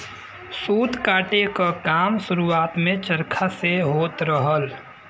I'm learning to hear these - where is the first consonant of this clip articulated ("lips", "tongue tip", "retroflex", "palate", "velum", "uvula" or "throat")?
tongue tip